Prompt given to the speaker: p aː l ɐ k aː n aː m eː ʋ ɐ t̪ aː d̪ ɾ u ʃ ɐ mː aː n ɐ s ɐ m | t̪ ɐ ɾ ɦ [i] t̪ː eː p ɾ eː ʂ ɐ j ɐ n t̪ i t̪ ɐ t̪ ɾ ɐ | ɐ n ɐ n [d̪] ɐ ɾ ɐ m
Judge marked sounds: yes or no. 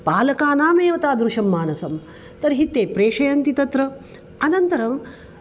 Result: yes, no

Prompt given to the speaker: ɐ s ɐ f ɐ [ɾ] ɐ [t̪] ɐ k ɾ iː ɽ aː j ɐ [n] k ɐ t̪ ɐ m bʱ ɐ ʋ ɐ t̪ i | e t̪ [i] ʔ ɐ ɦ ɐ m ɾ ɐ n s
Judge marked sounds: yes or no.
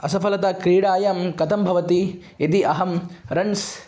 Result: no, yes, no, yes

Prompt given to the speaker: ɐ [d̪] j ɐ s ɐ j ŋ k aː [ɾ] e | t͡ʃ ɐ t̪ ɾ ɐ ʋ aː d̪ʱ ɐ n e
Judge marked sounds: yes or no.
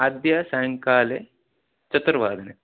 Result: yes, no

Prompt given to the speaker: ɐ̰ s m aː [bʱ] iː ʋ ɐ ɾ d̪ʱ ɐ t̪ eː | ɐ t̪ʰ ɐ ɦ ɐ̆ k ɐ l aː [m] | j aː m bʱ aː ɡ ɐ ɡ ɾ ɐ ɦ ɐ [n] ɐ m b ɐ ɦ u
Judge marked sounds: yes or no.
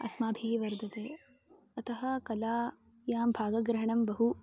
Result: yes, no, no

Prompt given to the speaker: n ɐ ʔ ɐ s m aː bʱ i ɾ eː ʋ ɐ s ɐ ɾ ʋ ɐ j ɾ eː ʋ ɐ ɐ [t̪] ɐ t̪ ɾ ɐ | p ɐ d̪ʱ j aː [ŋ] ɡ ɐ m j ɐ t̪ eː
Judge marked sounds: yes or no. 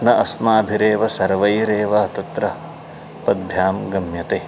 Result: yes, no

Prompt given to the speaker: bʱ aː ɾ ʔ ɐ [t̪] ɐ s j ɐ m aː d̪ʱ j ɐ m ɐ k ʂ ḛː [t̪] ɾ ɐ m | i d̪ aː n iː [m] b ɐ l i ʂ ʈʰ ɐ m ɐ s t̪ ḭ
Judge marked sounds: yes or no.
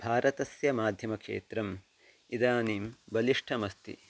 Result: yes, yes, yes

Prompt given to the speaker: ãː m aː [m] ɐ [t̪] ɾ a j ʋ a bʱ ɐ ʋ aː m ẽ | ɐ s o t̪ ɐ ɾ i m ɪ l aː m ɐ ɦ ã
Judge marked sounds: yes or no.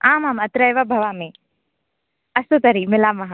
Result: yes, yes

